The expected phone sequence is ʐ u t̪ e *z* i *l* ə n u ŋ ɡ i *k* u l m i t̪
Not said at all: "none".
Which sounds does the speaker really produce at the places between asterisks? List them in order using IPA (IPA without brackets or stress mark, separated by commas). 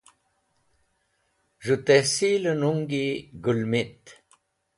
s, l, ɡ